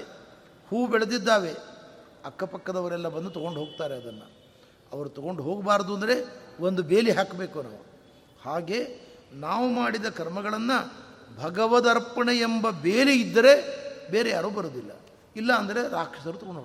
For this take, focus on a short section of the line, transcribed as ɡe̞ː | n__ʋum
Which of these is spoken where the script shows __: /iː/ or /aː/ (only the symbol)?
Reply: aː